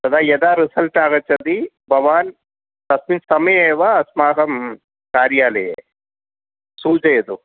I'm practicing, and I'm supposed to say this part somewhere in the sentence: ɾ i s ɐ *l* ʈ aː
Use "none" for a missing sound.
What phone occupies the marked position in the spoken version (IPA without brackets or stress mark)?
l